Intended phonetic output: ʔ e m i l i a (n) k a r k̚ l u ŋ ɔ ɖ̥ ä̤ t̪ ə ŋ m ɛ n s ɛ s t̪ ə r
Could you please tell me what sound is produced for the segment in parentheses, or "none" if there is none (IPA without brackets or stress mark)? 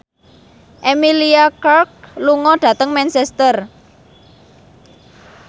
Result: none